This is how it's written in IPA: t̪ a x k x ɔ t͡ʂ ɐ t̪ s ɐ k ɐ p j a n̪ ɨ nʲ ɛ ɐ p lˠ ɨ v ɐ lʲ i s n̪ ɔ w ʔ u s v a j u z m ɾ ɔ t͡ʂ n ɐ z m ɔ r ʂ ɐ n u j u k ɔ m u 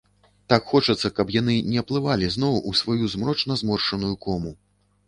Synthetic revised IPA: t̪ a k x ɔ t͡ʂ ɐ t̪ sː ɐ k ɐ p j a n̪ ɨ nʲ ɛ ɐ p lˠ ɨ v a lʲ i z n̪ ɔ w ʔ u s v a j u z m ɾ ɔ t͡ʂ n ɐ z m ɔ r ʂ ɐ n u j u k ɔ m u

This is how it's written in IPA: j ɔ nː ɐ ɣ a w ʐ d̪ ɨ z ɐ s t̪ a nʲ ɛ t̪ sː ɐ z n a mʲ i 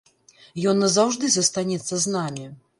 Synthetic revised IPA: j ɔ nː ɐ z a w ʐ d̪ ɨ z ɐ s t̪ a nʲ ɛ t̪ sː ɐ z n a mʲ i

